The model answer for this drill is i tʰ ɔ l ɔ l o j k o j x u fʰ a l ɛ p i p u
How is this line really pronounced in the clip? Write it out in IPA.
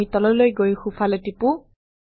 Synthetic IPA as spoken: i t ɔ l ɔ l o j ɡ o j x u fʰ a l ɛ t i p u